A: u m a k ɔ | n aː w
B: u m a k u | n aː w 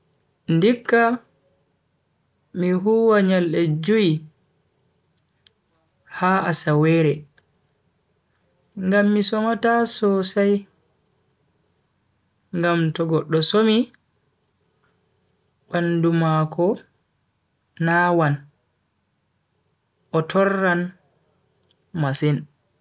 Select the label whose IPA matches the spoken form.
A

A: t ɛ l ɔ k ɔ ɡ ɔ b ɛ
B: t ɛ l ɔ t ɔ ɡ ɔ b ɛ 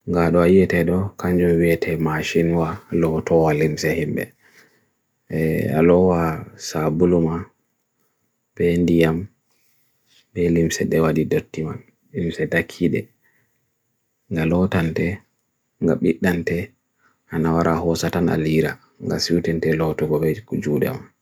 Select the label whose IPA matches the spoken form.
B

